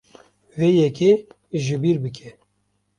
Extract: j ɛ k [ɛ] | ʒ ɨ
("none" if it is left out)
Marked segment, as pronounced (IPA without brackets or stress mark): e